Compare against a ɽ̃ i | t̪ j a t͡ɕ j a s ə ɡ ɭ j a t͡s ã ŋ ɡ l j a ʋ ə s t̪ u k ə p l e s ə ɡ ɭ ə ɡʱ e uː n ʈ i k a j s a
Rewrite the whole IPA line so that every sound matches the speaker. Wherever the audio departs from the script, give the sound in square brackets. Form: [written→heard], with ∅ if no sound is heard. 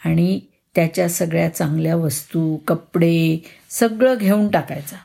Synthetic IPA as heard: a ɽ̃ i | t̪ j a t͡ɕ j a s ə ɡ ɭ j a t͡s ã ŋ ɡ l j a ʋ ə s t̪ u k ə p [l→ɽ] e s ə ɡ ɭ ə ɡʱ e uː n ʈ [i→a] k a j [s→t͡s] a